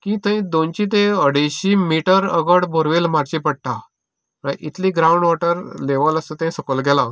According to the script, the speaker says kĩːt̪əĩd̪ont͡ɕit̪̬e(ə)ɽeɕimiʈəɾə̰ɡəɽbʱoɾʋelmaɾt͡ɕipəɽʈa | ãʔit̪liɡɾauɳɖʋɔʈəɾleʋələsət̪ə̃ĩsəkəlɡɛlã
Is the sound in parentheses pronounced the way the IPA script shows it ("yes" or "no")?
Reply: yes